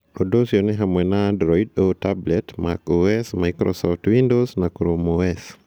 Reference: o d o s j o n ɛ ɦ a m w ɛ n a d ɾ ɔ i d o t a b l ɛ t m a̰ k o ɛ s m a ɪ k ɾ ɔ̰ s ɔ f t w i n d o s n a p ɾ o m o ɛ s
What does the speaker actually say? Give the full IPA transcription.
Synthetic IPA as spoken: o d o s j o n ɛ ɦ a m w ɛ n a d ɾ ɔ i d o t a b l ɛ t m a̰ k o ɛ s m a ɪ k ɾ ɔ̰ s ɔ f t w i n d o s n a k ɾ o m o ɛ s